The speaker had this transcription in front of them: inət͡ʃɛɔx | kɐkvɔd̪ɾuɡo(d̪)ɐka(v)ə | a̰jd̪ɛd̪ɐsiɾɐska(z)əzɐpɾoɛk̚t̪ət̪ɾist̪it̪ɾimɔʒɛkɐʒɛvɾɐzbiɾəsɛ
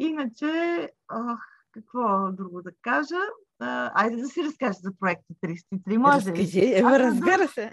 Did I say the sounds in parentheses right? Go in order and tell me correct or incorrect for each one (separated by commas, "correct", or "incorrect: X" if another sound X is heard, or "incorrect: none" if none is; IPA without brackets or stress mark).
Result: correct, incorrect: ʒ, incorrect: ʒ